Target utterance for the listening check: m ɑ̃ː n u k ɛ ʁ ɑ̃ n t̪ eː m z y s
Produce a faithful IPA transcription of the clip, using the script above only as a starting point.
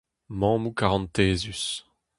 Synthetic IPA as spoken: m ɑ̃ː m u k a ʁ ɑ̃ n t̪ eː z y s

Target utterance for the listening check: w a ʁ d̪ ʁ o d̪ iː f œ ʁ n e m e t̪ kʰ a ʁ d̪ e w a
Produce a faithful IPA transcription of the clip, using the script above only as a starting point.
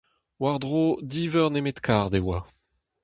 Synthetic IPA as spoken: w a ʁ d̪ ʁ o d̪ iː v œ ʁ n e m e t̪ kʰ a ʁ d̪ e w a

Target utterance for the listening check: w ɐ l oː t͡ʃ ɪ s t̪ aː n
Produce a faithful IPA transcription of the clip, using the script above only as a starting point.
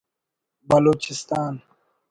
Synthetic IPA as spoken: b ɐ l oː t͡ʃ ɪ s t̪ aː n

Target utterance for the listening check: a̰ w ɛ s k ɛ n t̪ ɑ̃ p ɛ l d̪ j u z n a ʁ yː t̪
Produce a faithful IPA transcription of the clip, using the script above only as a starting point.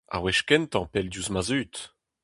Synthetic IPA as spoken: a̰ w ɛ ʃ k ɛ n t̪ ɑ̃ p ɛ l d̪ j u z m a z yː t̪

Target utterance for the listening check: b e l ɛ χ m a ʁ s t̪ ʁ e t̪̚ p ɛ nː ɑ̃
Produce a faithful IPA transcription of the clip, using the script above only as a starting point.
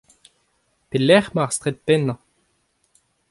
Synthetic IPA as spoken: p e l ɛ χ m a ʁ s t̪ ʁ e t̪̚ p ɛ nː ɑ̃

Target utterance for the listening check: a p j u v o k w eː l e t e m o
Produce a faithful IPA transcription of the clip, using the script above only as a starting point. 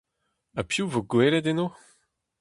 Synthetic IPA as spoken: a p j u v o ɡ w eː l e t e n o

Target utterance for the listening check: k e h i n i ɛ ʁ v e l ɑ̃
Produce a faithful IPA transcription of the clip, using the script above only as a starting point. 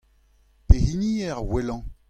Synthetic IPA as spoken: p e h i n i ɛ ʁ w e l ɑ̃

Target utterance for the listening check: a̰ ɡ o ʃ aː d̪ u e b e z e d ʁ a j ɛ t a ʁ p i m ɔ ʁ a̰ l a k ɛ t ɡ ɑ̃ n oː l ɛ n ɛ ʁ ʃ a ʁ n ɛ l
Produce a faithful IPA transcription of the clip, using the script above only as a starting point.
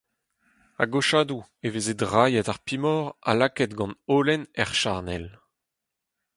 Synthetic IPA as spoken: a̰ ɡ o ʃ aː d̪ u e v e z e d ʁ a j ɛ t a ʁ p i m ɔ ʁ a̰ l a k ɛ t ɡ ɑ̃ n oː l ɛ n ɛ ʁ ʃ a ʁ n ɛ l

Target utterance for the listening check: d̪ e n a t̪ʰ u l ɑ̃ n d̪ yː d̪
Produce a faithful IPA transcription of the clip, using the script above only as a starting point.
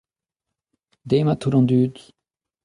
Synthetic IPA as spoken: d̪ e m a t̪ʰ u ɾ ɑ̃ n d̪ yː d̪

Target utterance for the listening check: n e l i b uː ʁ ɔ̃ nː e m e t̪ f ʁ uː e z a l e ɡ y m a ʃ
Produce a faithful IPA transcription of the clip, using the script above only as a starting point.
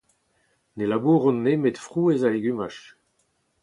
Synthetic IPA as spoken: n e l a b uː ʁ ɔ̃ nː e m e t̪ f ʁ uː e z a l e ɡ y m a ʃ

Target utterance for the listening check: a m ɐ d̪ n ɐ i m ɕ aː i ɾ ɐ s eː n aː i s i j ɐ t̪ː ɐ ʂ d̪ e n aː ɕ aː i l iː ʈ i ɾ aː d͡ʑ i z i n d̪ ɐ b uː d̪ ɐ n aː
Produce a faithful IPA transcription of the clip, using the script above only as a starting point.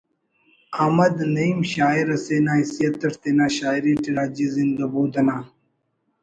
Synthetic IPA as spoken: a m ɐ d̪ n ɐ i m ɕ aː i ɾ ɐ s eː n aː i s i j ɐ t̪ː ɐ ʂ t̪ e n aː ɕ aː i ɾ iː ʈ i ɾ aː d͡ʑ i z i n d̪ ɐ b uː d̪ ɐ n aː

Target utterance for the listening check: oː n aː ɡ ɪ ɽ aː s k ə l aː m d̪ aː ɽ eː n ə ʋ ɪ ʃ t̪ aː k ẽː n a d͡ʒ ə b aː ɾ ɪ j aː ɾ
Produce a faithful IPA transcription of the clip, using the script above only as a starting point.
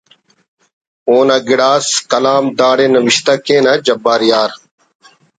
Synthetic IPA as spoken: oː n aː ɡ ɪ ɽ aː s k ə l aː m d̪ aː ɽ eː n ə ʋ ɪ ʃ t̪ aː k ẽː n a d͡ʒ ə b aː ɾ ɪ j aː ɾ

